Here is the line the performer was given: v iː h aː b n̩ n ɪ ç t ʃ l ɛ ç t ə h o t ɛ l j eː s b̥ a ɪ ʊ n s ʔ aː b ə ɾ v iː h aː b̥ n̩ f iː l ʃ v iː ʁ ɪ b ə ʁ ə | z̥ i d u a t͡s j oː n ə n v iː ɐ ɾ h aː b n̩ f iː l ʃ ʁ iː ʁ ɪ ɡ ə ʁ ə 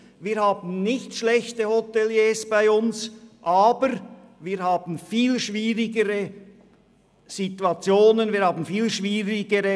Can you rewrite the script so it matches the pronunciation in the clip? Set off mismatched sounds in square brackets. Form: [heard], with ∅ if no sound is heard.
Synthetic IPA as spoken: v iː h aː b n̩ n ɪ ç t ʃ l ɛ ç t ə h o t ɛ l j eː s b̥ a ɪ ʊ n s ʔ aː b ə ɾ v iː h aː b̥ n̩ f iː l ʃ v iː ʁ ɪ [ɡ] ə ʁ ə | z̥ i [t] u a t͡s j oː n ə n v iː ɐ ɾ h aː b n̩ f iː l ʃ [v] iː ʁ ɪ ɡ ə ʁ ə